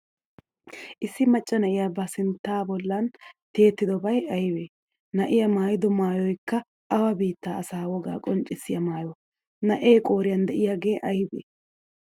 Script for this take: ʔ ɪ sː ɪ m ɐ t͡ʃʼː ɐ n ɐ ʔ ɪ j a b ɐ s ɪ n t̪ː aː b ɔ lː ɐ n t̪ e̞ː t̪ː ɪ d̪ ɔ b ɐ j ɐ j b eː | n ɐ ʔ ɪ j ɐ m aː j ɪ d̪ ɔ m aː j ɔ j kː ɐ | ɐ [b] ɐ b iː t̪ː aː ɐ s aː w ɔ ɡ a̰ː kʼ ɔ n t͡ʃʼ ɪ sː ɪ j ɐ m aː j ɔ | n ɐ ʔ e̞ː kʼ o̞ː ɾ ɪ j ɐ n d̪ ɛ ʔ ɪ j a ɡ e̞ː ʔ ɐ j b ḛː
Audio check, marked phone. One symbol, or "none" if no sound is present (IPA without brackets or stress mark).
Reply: w